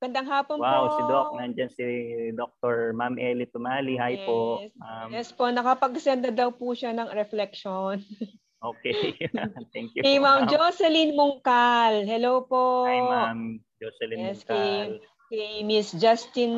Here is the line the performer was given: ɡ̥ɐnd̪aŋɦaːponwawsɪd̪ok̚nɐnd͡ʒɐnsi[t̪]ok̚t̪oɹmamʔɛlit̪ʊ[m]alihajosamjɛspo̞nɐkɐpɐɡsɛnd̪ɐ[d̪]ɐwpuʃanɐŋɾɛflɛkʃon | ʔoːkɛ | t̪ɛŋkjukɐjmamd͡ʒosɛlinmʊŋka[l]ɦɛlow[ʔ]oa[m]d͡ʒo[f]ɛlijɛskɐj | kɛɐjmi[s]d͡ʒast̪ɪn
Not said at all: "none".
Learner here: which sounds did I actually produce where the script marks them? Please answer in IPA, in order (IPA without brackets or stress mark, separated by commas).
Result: d̪, m, d̪, l, p, m, s, s